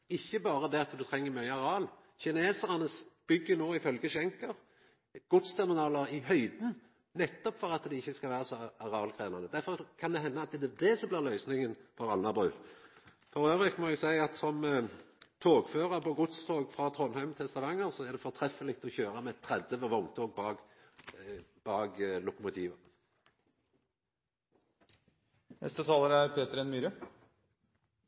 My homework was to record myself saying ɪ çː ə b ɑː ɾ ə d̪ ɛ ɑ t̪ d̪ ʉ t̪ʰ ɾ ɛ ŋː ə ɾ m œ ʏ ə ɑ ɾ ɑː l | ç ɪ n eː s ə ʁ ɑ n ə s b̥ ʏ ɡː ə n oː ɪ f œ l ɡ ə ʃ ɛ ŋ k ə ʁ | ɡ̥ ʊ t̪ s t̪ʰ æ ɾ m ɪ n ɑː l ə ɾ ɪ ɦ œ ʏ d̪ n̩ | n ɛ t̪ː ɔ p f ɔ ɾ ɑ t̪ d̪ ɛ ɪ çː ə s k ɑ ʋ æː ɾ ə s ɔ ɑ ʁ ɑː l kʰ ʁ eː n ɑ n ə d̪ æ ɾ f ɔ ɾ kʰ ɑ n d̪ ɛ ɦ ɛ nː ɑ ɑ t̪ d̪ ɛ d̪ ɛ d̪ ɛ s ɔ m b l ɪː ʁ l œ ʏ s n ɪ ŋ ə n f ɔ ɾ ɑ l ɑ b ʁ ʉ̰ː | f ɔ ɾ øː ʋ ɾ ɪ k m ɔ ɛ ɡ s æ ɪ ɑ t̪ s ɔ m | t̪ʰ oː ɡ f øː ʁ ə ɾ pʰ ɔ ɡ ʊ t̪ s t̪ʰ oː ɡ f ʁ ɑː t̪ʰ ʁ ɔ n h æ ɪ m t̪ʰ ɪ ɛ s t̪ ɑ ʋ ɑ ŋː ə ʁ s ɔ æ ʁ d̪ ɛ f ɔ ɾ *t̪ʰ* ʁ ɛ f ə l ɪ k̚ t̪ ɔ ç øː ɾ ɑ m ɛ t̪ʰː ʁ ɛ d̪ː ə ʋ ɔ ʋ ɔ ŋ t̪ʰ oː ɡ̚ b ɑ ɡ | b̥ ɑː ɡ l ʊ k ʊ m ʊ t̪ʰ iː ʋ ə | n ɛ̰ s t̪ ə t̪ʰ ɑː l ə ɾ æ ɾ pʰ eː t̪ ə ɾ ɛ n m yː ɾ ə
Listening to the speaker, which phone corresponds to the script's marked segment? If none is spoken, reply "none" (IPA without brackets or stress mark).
t̪ʰ